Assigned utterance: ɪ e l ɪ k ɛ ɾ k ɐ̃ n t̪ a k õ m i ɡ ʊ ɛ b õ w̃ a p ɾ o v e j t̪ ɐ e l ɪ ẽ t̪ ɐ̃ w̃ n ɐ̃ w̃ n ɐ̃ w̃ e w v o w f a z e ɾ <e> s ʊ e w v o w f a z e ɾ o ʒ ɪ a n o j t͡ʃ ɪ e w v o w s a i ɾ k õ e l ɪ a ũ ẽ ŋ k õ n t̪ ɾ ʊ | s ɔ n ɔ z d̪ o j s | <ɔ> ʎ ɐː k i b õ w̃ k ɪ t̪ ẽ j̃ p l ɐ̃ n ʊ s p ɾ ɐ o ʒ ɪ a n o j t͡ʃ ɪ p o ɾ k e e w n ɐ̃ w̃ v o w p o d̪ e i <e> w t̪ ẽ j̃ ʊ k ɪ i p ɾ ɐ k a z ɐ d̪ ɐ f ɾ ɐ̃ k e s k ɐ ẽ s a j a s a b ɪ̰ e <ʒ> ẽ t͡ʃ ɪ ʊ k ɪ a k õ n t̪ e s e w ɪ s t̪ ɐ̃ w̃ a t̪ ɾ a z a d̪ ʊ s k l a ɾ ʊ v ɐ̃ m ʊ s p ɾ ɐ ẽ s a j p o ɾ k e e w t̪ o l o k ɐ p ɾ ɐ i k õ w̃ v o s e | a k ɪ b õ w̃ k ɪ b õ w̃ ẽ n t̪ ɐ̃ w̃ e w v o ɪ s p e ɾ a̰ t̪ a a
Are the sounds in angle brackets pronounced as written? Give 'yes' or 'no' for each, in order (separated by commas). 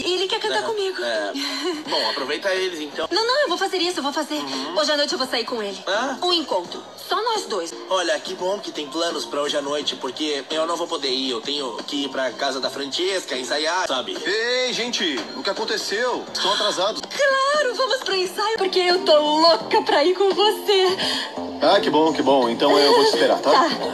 no, yes, yes, yes